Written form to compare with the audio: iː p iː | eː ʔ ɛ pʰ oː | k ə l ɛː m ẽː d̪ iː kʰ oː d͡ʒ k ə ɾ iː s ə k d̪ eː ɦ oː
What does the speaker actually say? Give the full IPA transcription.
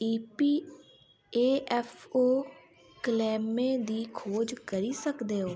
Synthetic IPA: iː p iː | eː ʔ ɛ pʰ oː | k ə l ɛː m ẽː d̪ iː kʰ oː d͡ʒ k ə ɾ iː s ə k d̪ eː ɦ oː